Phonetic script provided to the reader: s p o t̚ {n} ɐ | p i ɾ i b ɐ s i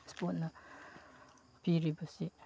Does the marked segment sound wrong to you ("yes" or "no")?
no